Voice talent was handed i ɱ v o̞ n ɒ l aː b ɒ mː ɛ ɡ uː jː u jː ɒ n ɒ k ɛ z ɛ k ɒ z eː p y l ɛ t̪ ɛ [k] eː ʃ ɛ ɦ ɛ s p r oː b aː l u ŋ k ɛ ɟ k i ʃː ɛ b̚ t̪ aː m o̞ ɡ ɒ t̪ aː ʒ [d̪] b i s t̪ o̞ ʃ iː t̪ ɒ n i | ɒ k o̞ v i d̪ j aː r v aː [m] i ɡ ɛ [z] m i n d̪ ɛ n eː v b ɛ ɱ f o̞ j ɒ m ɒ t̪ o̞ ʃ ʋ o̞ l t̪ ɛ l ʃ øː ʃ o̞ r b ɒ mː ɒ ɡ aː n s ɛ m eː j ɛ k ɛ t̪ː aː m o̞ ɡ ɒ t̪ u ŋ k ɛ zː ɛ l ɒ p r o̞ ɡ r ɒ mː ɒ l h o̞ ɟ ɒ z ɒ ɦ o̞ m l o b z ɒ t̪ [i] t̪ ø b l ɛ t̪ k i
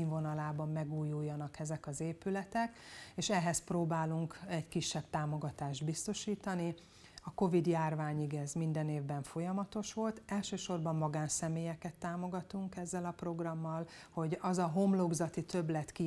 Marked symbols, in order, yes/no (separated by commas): yes, yes, no, yes, yes